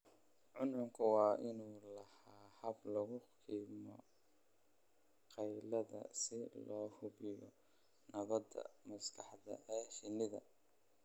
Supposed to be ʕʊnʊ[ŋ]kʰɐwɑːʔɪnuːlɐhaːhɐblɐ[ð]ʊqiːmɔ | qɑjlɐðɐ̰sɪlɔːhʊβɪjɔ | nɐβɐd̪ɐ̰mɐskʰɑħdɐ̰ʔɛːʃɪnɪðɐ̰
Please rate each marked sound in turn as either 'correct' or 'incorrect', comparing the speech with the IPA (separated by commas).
correct, incorrect